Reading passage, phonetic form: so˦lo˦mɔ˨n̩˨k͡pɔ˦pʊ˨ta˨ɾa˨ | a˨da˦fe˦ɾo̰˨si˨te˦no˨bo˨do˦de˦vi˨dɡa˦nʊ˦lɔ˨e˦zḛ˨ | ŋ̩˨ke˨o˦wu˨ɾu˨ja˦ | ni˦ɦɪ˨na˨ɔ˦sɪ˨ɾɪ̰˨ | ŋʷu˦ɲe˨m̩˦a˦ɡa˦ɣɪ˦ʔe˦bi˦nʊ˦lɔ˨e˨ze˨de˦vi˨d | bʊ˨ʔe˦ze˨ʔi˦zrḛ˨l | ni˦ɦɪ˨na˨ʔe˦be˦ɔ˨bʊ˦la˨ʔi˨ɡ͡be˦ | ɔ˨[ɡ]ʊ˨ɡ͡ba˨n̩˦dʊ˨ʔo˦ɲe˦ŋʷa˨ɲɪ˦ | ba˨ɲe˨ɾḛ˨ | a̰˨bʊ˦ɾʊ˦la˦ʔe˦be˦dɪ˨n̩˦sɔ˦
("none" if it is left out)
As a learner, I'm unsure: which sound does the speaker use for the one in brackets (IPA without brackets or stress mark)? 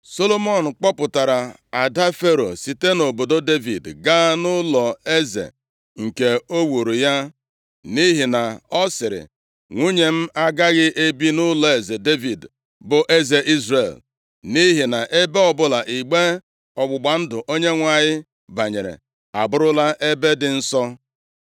ɡ͡b